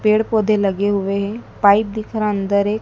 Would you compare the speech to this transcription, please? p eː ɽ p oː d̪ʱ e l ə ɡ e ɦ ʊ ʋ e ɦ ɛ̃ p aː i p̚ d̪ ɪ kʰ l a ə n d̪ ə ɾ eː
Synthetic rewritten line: p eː ɽ p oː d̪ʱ e l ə ɡ e ɦ ʊ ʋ e ɦ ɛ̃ p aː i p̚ d̪ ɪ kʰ ɾ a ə n d̪ ə ɾ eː